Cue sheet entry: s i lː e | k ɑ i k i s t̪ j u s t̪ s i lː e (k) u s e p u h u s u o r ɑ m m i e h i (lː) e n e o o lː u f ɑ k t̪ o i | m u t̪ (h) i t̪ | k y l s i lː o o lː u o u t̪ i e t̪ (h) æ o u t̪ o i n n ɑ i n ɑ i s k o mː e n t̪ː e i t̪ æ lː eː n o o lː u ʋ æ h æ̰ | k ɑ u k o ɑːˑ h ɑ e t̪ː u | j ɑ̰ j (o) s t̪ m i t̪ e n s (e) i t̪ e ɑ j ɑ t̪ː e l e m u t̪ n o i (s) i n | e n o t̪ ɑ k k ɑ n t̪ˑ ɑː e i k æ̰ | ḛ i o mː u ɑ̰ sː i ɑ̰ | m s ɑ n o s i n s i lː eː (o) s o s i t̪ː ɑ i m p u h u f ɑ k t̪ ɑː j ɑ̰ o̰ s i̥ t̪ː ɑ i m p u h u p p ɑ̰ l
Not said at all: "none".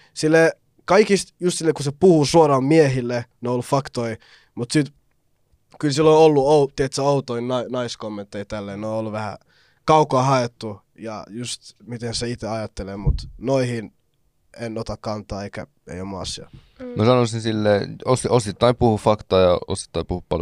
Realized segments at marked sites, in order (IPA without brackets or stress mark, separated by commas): k, lː, s, s, u, e, h, o